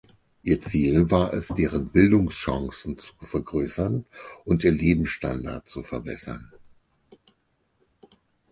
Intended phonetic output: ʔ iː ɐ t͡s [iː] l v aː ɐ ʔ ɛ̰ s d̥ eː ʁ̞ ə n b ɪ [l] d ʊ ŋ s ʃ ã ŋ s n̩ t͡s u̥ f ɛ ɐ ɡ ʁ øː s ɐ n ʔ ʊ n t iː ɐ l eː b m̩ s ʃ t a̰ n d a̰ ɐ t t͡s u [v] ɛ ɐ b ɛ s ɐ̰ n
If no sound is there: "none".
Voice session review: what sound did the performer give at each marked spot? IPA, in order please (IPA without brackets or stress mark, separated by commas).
iː, l, f